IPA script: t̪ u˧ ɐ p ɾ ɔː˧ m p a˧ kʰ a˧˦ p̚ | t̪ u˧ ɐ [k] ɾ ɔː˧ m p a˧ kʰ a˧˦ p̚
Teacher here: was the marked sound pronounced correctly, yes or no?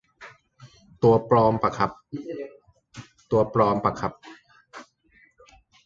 no